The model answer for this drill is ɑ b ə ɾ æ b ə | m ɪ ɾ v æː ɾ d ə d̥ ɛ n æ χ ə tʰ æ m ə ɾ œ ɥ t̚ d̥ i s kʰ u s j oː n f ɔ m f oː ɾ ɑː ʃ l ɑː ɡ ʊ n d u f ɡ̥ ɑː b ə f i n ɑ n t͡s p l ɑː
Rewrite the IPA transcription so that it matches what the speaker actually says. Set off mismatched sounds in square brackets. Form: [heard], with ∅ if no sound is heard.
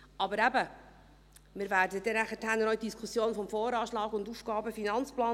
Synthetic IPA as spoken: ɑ b ə ɾ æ b ə | m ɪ ɾ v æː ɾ d ə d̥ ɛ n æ χ ə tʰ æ [n] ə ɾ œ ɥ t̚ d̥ i s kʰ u s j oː n f ɔ m f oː ɾ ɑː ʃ l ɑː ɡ ʊ n d u f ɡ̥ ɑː b ə f i n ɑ n t͡s p l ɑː